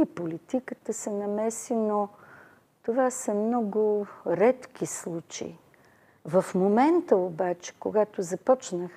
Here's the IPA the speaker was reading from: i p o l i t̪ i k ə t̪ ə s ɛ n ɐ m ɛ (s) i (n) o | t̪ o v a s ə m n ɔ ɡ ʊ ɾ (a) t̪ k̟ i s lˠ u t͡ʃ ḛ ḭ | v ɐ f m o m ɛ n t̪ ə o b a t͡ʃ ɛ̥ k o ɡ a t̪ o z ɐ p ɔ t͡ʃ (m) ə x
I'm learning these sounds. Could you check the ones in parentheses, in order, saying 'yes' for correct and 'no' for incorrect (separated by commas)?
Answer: yes, yes, no, no